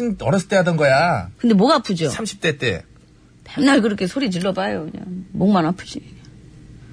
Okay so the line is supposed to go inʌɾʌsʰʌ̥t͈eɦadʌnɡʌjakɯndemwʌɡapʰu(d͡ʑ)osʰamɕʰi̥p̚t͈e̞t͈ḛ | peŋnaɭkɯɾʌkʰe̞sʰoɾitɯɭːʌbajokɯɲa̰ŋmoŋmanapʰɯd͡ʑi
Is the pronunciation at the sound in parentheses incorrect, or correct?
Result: correct